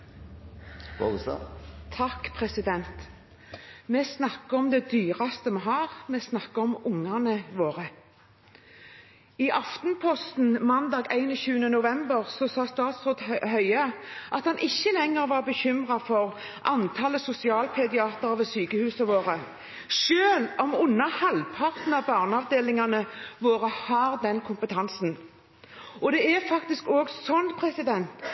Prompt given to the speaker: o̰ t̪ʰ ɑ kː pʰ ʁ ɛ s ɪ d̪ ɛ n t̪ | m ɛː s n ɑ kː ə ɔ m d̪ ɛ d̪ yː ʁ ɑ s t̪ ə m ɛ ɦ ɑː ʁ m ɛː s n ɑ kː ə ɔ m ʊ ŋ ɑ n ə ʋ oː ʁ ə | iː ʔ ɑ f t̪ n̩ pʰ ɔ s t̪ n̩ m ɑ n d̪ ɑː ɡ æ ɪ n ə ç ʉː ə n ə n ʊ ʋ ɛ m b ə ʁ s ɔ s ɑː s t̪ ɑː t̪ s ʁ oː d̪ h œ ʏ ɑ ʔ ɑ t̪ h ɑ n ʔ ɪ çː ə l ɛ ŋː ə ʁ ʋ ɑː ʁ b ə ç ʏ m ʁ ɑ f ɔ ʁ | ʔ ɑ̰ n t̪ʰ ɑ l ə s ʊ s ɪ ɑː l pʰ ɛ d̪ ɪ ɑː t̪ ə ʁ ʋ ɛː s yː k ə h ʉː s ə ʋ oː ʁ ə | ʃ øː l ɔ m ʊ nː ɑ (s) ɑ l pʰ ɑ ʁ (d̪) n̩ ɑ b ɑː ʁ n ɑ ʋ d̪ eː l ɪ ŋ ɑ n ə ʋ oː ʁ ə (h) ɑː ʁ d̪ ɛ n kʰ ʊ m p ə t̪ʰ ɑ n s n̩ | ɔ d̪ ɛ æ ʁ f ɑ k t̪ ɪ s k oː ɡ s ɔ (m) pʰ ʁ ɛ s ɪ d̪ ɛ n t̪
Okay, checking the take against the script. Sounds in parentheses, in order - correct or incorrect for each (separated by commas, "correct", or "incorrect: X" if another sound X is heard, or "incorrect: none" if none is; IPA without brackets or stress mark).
incorrect: h, incorrect: t̪, correct, incorrect: n